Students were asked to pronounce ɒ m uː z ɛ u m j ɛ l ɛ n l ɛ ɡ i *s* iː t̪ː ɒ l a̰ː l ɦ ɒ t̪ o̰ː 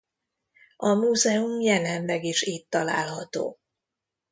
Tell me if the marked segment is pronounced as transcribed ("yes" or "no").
no